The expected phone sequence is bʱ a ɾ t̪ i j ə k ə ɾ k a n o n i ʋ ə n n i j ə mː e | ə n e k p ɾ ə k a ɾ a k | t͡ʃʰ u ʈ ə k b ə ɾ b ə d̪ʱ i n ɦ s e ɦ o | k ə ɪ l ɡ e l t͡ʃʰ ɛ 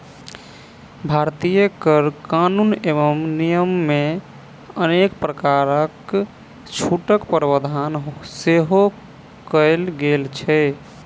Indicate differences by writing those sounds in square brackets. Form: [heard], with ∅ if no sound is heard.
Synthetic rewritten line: bʱ a ɾ t̪ i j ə k ə ɾ k a n [u] n [e] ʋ ə [m] n i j ə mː e | ə n e k p ɾ ə k a ɾ [ə] k | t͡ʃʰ u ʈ ə k [p] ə ɾ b ə d̪ʱ [a] n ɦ s e ɦ o | k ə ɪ l ɡ e l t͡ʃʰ ɛ